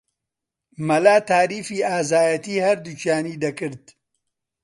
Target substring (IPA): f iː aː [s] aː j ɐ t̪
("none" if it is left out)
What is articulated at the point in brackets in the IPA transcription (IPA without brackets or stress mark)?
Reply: z